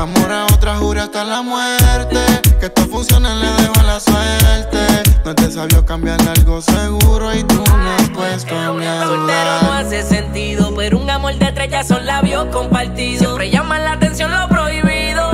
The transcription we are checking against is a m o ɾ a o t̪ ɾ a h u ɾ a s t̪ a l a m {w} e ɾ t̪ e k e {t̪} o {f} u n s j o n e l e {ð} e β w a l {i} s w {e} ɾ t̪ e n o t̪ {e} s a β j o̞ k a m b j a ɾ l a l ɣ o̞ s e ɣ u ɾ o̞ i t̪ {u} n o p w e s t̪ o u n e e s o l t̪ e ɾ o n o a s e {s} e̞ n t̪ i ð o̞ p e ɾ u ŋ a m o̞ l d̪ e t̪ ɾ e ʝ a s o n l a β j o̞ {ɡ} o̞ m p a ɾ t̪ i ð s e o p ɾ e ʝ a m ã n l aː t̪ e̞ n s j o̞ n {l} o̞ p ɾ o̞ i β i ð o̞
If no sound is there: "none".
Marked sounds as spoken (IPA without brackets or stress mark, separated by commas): w, t̪, f, ð, a, e, e, u, s, k, l